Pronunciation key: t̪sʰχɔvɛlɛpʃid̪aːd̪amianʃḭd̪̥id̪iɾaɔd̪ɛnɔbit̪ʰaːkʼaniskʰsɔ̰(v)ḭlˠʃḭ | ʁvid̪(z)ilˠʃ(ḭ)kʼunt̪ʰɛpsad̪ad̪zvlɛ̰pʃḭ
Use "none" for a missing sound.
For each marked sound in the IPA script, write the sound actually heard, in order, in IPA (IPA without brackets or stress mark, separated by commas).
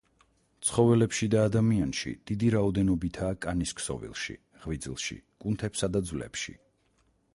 v, z, ḭ